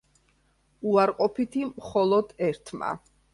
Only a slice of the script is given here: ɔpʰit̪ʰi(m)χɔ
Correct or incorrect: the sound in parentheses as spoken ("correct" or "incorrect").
correct